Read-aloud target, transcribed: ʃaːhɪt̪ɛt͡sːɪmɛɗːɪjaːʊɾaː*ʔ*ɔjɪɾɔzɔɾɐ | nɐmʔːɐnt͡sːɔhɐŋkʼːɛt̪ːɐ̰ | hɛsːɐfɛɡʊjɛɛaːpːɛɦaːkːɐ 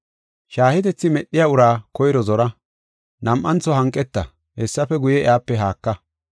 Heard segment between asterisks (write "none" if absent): k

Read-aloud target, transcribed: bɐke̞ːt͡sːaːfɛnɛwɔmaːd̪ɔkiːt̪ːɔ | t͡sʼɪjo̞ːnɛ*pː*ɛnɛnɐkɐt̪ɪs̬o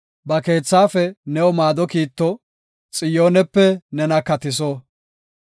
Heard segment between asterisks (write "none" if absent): pː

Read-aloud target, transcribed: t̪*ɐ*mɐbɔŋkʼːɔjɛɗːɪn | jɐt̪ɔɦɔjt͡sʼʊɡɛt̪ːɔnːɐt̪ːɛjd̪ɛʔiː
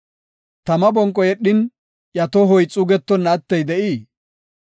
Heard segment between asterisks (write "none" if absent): ɐ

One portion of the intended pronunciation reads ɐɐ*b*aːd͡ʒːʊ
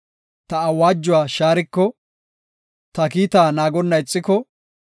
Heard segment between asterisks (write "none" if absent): w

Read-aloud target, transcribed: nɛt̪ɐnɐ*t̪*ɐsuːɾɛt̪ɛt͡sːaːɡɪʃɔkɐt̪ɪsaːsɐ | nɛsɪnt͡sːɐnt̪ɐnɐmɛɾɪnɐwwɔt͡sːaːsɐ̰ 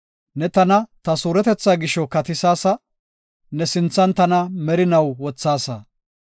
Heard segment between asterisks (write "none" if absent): t̪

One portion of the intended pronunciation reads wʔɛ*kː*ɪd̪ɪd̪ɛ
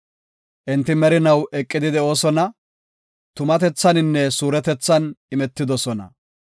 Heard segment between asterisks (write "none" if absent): kʼː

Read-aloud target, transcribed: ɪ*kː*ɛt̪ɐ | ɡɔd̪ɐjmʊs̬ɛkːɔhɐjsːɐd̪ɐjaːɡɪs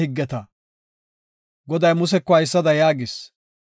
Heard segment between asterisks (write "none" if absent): ɡː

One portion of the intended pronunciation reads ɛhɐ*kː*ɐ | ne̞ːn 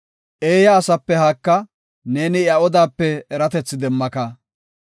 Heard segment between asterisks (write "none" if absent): kː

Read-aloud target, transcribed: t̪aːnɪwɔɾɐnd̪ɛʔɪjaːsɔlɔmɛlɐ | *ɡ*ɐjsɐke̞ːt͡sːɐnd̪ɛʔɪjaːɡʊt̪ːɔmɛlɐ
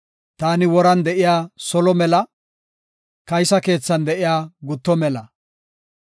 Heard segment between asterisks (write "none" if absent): k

